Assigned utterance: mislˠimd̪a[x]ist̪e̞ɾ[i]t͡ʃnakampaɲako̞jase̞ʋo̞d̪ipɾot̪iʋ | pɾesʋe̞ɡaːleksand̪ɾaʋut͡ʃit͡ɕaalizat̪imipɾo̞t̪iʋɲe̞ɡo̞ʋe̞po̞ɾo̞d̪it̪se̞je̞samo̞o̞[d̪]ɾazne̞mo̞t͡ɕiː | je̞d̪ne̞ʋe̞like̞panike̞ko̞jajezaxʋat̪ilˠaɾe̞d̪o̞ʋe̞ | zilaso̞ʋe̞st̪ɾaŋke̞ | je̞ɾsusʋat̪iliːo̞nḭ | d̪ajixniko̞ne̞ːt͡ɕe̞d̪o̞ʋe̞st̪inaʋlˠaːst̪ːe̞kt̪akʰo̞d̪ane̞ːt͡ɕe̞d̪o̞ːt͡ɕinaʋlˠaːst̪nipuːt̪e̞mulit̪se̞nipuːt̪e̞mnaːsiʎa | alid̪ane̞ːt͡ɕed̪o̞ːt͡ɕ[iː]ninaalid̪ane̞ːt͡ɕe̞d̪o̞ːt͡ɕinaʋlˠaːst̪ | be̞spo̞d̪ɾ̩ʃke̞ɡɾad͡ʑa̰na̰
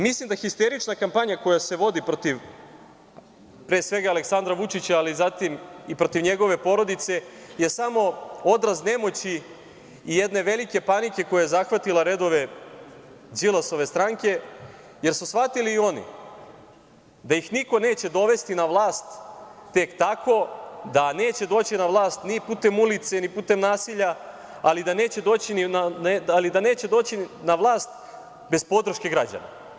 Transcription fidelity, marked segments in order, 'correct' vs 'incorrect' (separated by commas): correct, correct, correct, incorrect